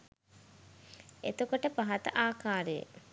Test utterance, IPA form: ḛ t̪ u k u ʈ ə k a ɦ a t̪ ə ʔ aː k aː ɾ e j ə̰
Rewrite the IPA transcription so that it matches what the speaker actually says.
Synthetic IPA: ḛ t̪ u k o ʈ ə p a ɦ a t̪ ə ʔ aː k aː ɾ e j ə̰